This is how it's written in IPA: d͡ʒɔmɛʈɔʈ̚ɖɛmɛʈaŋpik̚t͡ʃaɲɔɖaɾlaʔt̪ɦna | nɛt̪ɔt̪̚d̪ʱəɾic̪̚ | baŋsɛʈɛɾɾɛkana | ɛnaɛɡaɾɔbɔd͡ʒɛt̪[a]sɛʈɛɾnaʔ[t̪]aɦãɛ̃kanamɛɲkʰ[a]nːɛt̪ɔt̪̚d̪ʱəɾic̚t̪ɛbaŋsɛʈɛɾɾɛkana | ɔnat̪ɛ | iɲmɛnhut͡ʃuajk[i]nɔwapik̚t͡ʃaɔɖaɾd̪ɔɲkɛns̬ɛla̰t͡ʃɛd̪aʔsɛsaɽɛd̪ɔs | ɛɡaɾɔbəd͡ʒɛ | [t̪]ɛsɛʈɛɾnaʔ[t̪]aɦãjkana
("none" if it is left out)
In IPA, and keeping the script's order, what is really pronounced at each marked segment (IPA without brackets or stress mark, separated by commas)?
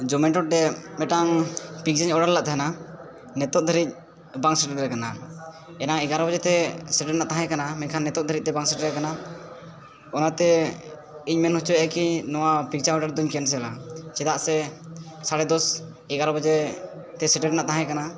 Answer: ɛ, t̪, a, i, t̪, t̪